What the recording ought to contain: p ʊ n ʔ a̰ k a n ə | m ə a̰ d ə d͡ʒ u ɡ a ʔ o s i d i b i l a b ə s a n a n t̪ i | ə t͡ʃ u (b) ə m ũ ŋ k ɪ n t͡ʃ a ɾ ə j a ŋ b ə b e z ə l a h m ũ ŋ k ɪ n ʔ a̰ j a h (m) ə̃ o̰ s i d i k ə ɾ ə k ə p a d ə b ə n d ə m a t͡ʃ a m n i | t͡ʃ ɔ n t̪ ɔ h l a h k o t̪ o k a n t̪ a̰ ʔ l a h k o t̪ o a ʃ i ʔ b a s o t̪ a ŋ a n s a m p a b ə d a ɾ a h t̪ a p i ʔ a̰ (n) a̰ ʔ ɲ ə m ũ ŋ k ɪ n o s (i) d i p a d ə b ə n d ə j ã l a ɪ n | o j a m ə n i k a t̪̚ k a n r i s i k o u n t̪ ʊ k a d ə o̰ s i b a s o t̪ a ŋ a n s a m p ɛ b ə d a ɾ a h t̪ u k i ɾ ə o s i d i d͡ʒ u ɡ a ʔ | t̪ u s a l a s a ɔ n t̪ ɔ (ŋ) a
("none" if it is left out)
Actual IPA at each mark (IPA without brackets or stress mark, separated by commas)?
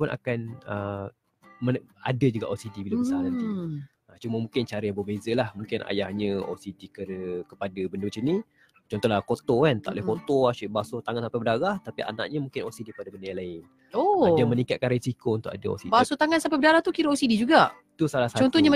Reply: m, ɲ, n, i, ɲ